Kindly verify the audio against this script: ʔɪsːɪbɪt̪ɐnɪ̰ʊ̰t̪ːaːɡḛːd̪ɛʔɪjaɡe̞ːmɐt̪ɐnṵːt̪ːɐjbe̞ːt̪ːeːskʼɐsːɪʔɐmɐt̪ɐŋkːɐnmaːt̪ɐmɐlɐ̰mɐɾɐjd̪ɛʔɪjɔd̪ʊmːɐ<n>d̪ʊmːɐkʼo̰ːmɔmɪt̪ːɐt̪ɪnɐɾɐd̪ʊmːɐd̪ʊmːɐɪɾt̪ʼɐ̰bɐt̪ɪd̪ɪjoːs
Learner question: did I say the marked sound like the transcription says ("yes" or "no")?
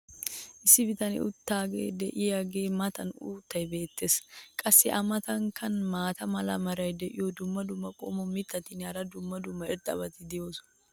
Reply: no